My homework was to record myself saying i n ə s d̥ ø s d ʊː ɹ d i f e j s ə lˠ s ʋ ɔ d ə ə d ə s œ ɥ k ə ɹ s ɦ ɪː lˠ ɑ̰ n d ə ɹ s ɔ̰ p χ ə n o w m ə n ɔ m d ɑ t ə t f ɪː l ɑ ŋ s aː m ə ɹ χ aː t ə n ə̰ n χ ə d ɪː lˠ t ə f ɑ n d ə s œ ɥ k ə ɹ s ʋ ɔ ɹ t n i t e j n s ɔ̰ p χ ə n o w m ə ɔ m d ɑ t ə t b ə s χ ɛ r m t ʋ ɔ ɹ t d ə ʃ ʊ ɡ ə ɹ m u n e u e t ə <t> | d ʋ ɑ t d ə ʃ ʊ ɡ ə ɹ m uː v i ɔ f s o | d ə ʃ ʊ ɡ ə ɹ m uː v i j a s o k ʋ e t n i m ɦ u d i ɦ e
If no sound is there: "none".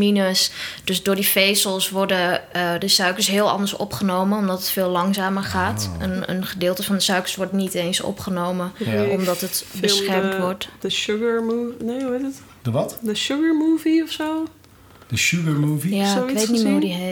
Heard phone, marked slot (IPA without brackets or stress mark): t